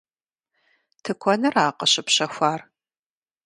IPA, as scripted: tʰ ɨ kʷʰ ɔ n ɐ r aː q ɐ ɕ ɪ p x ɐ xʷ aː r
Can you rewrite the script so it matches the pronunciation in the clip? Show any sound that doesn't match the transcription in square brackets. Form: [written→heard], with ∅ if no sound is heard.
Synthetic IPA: tʰ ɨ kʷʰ ɔ n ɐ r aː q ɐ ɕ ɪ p [x→ɕ] ɐ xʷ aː r